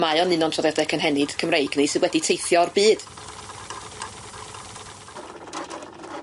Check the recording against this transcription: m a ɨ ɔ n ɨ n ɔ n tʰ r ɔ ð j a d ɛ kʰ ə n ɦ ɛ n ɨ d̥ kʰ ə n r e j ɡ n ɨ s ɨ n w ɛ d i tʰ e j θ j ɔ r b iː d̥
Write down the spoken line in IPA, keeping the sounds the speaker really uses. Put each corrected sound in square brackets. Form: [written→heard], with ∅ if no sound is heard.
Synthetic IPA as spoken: m a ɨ ɔ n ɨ n ɔ n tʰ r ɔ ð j a d ɛ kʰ ə n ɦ ɛ n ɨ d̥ kʰ ə [n→m] r e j ɡ n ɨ s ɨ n w ɛ d i tʰ e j θ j ɔ r b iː d̥